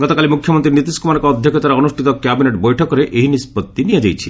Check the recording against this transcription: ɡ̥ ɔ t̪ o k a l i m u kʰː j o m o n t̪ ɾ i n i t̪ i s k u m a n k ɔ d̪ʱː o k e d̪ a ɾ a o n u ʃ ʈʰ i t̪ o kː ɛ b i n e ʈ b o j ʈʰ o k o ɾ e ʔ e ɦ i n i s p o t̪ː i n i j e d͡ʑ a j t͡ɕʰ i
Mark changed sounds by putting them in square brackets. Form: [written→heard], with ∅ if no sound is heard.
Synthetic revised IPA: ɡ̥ ɔ t̪ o k a l i m u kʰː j o m o n t̪ ɾ i n i t̪ i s k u m a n k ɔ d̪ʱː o k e [d̪→t̪] a ɾ a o n u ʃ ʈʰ i t̪ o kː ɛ b i n e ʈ b o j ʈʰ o k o ɾ e ʔ e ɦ i n i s p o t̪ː i n i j e d͡ʑ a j t͡ɕʰ i

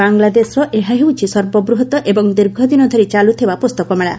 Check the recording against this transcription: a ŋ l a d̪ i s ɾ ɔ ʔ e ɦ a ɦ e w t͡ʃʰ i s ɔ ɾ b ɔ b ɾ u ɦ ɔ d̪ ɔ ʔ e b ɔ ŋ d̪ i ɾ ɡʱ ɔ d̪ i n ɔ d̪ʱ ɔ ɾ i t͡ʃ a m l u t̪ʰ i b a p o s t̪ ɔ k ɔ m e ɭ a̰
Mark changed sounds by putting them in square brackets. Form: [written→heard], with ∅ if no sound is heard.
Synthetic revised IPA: a ŋ l a d̪ [i→e] s ɾ ɔ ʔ e ɦ a ɦ e w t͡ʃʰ i s ɔ ɾ b ɔ b ɾ u ɦ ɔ [d̪→t̪] ɔ ʔ e b ɔ ŋ d̪ i ɾ ɡʱ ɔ d̪ i n ɔ d̪ʱ ɔ ɾ i t͡ʃ a [m→∅] l u t̪ʰ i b a p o s t̪ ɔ k ɔ m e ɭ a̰

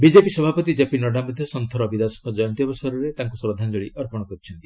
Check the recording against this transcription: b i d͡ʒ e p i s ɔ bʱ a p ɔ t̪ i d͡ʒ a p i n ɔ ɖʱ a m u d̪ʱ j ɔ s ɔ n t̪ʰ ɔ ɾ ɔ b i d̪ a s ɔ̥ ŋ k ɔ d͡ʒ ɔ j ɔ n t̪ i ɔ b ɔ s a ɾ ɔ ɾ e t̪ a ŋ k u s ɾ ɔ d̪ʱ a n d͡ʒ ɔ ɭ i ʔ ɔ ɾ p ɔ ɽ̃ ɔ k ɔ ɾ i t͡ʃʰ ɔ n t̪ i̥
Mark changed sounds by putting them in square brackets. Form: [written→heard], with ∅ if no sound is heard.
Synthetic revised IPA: b i d͡ʒ e p i s ɔ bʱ a p ɔ t̪ i d͡ʒ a p i n ɔ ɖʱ a m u d̪ʱ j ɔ s ɔ n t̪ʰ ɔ ɾ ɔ b i d̪ a s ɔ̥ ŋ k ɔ d͡ʒ ɔ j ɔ n t̪ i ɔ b ɔ s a ɾ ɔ ɾ e t̪ a ŋ k u s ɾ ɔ d̪ʱ a n d͡ʒ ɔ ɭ i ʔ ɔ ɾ p ɔ ɽ̃ ɔ k ɔ ɾ i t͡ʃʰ ɔ n t̪ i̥

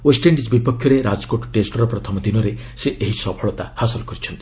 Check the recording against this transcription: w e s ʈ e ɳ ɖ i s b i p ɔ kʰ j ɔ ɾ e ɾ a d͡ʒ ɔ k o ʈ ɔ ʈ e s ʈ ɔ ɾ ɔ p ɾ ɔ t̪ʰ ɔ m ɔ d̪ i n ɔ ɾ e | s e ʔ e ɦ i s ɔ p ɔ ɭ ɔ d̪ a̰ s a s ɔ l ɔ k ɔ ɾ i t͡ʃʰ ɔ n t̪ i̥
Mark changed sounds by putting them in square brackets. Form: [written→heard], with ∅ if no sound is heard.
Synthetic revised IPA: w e s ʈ e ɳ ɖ i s b i p ɔ kʰ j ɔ ɾ e ɾ a d͡ʒ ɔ k o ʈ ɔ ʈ e s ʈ ɔ ɾ ɔ p ɾ ɔ t̪ʰ ɔ m ɔ d̪ i n ɔ ɾ e | s e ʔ e ɦ i s ɔ [p→pʰ] ɔ ɭ ɔ [d̪→t̪] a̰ [s→h] a s ɔ l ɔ k ɔ ɾ i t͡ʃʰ ɔ n t̪ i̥

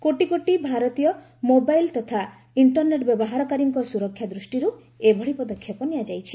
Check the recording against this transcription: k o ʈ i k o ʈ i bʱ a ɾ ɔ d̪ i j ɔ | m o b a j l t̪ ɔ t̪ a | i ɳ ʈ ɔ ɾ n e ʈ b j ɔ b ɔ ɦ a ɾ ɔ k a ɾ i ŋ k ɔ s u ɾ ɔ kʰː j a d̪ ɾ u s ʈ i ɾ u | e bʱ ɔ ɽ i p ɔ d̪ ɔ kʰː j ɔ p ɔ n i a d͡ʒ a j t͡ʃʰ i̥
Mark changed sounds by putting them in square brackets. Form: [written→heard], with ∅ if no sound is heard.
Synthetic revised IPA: k o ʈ i k o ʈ i bʱ a ɾ ɔ [d̪→t̪] i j ɔ | m o b a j l t̪ ɔ [t̪→t̪ʰ] a | i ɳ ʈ ɔ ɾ n e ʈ b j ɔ b ɔ ɦ a ɾ ɔ k a ɾ i ŋ k ɔ s u ɾ ɔ kʰː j a d̪ ɾ u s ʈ i ɾ u | e bʱ ɔ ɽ i p ɔ d̪ ɔ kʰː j ɔ p ɔ n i a d͡ʒ a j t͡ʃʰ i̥

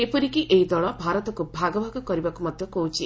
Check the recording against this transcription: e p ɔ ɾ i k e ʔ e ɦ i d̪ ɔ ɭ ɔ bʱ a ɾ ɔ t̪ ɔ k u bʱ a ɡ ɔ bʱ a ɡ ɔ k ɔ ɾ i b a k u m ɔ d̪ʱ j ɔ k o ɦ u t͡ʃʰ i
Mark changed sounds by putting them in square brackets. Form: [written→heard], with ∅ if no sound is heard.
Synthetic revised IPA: e p ɔ ɾ i k [e→i] ʔ e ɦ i d̪ ɔ ɭ ɔ bʱ a ɾ ɔ t̪ ɔ k u bʱ a ɡ ɔ bʱ a ɡ ɔ k ɔ ɾ i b a k u m ɔ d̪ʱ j ɔ k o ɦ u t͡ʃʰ i

